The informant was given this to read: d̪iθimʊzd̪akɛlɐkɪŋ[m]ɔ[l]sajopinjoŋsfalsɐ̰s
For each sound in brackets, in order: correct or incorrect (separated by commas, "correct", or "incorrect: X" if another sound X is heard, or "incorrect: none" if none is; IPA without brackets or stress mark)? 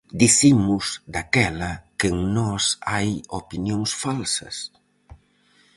incorrect: n, incorrect: none